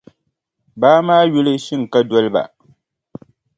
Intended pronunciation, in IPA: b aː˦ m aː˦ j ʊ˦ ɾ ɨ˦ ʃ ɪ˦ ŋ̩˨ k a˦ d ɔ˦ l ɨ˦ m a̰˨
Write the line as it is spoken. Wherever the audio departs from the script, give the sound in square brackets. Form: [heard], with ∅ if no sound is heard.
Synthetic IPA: b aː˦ m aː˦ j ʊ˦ [l] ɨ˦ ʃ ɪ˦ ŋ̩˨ k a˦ d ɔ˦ l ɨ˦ [b] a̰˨